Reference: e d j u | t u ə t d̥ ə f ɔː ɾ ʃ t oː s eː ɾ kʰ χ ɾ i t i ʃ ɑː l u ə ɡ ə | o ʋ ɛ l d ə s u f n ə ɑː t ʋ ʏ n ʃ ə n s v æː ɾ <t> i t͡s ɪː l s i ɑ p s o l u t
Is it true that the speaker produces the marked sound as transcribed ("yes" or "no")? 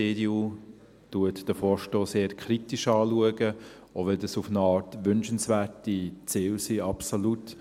yes